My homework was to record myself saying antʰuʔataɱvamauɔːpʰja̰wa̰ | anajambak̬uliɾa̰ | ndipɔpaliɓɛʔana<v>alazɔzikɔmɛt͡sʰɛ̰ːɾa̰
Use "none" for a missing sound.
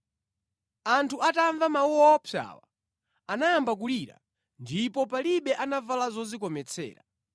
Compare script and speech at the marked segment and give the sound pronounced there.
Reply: v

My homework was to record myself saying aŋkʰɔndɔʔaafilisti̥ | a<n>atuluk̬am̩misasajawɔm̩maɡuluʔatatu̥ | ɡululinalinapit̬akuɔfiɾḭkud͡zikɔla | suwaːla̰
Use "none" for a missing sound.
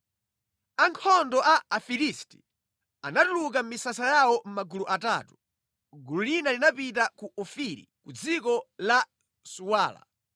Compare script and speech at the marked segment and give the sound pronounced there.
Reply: n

